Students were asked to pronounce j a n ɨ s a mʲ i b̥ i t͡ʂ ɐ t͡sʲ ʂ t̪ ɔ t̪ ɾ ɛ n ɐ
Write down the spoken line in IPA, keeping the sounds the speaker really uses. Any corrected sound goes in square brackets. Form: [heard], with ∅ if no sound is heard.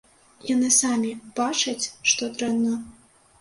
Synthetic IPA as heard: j a n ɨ s a mʲ i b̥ [a] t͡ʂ ɐ t͡sʲ ʂ t̪ ɔ t̪ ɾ ɛ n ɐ

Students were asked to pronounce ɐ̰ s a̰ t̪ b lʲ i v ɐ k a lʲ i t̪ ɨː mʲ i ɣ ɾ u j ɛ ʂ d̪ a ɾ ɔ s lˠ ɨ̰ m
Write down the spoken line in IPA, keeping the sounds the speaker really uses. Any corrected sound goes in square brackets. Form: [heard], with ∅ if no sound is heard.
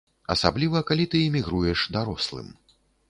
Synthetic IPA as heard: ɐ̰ s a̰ [∅] b lʲ i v ɐ k a lʲ i t̪ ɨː mʲ i ɣ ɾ u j ɛ ʂ d̪ a ɾ ɔ s lˠ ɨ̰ m

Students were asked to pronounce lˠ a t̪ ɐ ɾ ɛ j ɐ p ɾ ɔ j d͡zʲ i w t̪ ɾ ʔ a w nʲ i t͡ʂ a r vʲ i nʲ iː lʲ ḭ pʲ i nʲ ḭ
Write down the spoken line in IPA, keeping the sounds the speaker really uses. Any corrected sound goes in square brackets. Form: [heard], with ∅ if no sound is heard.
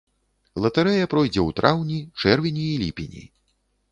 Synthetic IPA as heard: lˠ [ɐ] t̪ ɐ ɾ ɛ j ɐ p ɾ ɔ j d͡zʲ [ɛ] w t̪ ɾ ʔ a w nʲ i t͡ʂ [ɛ] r vʲ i nʲ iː lʲ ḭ pʲ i nʲ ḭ

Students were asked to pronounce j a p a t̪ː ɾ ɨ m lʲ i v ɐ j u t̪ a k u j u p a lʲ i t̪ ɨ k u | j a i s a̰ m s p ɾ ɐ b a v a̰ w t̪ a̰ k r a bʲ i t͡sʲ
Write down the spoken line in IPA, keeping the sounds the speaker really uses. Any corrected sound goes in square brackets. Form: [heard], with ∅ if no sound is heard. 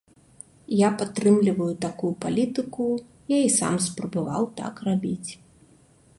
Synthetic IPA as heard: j a p a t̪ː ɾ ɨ m lʲ i v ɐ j u t̪ a k u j u p a lʲ i t̪ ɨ k u | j a i s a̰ m s p ɾ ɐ b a v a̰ w t̪ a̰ k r a bʲ i t͡sʲ

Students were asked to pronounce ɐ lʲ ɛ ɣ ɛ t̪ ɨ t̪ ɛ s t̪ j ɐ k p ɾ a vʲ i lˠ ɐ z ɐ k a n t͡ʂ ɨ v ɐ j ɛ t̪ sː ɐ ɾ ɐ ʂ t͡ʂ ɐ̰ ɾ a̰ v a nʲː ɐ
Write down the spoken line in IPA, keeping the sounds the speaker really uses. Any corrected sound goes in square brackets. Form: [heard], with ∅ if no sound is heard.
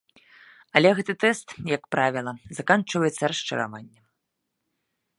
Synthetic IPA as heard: ɐ lʲ ɛ ɣ ɛ t̪ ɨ t̪ ɛ s t̪ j ɐ k p ɾ a vʲ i lˠ ɐ z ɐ k a n t͡ʂ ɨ v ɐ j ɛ t̪ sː ɐ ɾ ɐ ʂ t͡ʂ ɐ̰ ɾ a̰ v a nʲː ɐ

